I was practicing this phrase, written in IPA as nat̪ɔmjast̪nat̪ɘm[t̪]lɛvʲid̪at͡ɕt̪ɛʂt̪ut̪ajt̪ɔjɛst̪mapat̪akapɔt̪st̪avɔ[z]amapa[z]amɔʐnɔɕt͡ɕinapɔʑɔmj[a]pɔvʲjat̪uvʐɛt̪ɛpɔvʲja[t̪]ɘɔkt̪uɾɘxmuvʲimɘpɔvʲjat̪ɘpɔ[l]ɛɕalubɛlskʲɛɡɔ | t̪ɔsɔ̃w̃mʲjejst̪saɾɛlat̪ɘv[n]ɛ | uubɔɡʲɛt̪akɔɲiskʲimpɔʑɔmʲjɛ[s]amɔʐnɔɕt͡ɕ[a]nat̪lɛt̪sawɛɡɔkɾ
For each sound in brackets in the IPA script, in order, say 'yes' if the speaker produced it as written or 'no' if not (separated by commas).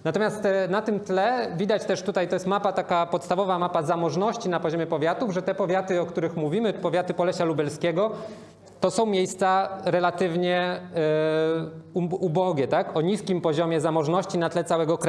yes, no, yes, no, yes, yes, no, no, no